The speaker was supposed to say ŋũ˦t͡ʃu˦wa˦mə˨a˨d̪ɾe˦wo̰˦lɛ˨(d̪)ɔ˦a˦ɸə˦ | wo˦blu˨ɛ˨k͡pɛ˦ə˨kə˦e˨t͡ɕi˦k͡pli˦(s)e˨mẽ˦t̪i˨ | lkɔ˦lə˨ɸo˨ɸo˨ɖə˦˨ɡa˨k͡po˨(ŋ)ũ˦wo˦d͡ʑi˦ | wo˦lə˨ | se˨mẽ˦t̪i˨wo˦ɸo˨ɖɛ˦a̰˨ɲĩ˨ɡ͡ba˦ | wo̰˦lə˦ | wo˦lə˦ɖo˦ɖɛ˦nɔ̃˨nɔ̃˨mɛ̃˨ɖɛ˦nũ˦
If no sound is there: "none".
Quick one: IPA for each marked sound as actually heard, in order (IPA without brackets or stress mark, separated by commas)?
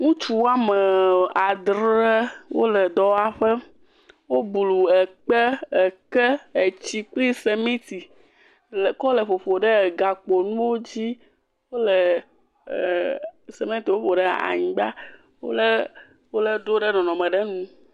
d̪, s, n